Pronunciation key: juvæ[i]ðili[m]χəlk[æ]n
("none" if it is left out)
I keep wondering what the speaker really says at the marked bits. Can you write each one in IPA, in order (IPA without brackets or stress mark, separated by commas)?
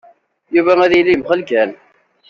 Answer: æ, m, æ